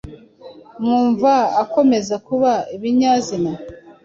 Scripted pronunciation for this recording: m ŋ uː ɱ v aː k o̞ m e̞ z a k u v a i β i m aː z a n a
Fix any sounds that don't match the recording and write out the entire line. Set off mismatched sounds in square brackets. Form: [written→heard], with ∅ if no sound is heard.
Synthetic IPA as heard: m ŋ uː ɱ v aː k o̞ m e̞ z a k u [v→β] a i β i [m→ɲ] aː z [a→i] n a